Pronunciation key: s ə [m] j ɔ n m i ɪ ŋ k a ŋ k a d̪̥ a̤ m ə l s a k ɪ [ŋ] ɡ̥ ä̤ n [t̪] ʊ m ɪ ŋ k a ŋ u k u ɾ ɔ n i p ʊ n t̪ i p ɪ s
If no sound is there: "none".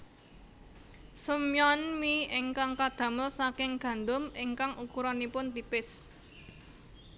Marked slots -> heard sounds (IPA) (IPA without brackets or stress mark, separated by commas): m, ŋ, d̪